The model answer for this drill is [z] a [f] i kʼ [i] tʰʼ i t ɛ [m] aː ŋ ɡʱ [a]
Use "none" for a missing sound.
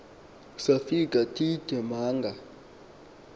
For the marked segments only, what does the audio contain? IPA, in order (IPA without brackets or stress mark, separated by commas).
s, f, a, m, a